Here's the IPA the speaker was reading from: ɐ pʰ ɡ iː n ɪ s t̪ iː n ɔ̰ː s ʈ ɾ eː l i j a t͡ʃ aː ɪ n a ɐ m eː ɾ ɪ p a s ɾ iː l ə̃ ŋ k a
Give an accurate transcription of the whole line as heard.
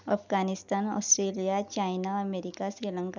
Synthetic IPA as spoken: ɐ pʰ ɡ aː n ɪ s t̪ aː n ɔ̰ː s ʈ ɾ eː l i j a t͡ʃ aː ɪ n a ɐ m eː ɾ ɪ k a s ɾ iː l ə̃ ŋ k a